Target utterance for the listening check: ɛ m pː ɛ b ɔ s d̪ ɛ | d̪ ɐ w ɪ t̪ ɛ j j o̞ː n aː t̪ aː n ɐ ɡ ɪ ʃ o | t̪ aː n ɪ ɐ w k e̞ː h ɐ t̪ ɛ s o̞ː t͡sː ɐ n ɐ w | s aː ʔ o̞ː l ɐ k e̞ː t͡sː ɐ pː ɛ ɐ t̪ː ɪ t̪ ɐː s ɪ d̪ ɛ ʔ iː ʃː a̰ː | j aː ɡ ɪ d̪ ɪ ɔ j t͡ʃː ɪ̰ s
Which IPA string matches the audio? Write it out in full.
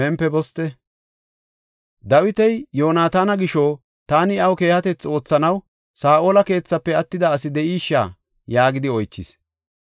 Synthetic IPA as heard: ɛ m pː ɛ b ɔ s t̪ ɛ | d̪ ɐ w ɪ t̪ ɛ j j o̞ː n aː t̪ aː n ɐ ɡ ɪ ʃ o | t̪ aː n ɪ ɐ w k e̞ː h ɐ t̪ ɛ t͡s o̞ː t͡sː ɐ n ɐ w | s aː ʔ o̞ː l ɐ k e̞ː t͡sː ɐ pː ɛ ɐ t̪ː ɪ d̪ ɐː s ɪ d̪ ɛ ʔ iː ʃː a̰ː | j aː ɡ ɪ d̪ ɪ ɔ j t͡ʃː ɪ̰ s